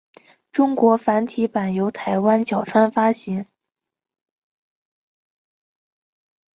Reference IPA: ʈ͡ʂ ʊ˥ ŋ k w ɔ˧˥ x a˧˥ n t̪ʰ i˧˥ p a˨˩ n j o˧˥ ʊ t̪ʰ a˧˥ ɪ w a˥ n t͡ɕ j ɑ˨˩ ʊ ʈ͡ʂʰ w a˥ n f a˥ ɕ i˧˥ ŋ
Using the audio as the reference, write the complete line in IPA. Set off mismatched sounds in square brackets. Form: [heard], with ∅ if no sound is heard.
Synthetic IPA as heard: ʈ͡ʂ ʊ˥ ŋ k w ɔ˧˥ [f] a˧˥ n t̪ʰ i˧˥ p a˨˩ n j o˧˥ ʊ t̪ʰ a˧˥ ɪ w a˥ n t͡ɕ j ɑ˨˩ ʊ ʈ͡ʂʰ w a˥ n f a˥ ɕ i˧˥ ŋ

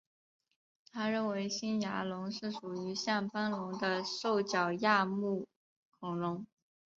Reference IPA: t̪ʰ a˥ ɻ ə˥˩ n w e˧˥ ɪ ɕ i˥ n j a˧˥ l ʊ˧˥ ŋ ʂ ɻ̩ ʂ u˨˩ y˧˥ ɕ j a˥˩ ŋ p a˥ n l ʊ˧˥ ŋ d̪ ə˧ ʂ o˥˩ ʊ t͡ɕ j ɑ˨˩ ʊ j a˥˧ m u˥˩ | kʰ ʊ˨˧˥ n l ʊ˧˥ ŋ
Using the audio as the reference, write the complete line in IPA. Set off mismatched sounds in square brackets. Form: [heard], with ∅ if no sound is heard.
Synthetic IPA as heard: t̪ʰ a˥ ɻ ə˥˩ n w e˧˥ ɪ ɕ i˥ n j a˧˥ l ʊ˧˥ ŋ ʂ ɻ̩ ʂ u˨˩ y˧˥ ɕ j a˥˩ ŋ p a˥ n l ʊ˧˥ ŋ d̪ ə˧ ʂ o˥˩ ʊ t͡ɕ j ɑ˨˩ ʊ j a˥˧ m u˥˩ | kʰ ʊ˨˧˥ [ŋ] l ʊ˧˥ ŋ

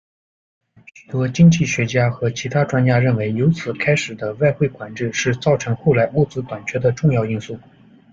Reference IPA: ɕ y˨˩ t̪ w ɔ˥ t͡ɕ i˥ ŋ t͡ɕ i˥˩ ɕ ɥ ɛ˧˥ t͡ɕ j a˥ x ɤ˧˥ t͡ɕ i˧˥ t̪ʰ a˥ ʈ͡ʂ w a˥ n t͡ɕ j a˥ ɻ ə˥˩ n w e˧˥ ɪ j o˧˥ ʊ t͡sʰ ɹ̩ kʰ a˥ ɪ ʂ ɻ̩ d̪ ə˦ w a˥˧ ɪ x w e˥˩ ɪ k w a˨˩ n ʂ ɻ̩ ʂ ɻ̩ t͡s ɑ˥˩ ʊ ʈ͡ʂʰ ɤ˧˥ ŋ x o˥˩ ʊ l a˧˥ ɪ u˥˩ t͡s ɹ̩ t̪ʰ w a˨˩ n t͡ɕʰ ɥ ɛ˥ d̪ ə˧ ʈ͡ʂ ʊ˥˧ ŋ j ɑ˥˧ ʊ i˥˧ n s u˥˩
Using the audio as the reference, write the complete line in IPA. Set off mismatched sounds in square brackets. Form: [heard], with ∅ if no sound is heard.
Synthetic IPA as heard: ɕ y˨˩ t̪ w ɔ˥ t͡ɕ i˥ ŋ t͡ɕ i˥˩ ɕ ɥ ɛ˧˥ t͡ɕ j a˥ x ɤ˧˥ [t͡ɕʰ] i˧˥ t̪ʰ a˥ ʈ͡ʂ w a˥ n t͡ɕ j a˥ ɻ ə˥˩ n w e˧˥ ɪ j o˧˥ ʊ t͡sʰ ɹ̩ kʰ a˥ ɪ ʂ ɻ̩ d̪ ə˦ w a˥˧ ɪ x w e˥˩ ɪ k w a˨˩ n [ʈ͡ʂ] ɻ̩ ʂ ɻ̩ t͡s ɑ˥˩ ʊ ʈ͡ʂʰ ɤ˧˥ ŋ x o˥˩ ʊ l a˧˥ ɪ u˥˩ t͡s ɹ̩ [t̪] w a˨˩ n t͡ɕʰ ɥ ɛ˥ d̪ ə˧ ʈ͡ʂ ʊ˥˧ ŋ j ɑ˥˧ ʊ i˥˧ n s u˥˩

